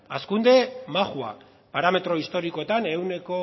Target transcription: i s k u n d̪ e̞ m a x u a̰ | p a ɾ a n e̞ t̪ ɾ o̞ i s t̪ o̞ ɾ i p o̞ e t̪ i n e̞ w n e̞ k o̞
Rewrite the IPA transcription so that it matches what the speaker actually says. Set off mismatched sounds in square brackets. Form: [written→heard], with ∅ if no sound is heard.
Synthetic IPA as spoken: [i→a] s k u n d̪ e̞ m a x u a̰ | p a ɾ a [n→m] e̞ t̪ ɾ o̞ i s t̪ o̞ ɾ i [p→k] o̞ e t̪ [i→a] n e̞ w n e̞ k o̞